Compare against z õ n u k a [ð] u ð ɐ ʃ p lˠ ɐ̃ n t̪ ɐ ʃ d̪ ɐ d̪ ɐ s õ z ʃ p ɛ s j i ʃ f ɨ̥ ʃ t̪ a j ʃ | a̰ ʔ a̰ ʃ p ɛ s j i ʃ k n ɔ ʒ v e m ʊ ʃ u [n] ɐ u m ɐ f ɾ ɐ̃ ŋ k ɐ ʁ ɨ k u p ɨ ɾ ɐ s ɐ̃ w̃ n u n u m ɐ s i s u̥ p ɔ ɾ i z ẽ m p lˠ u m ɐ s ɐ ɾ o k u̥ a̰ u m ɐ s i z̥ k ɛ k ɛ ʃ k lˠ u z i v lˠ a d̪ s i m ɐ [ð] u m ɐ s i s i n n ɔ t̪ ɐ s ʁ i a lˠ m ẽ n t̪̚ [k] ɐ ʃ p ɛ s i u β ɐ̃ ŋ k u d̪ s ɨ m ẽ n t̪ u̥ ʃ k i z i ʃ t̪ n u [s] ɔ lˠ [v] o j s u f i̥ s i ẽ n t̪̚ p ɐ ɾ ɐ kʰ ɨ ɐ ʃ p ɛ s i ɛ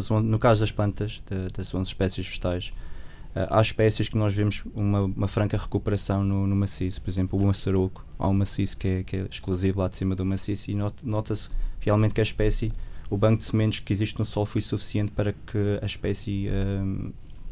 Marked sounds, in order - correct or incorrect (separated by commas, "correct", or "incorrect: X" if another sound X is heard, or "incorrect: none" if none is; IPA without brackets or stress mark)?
incorrect: z, incorrect: m, correct, correct, correct, incorrect: f